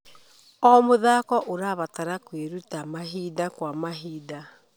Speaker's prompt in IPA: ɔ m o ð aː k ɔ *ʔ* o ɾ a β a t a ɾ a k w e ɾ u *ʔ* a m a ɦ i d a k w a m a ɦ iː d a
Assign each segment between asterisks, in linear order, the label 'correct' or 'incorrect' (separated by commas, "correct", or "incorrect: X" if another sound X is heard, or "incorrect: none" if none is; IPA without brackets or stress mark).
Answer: correct, incorrect: t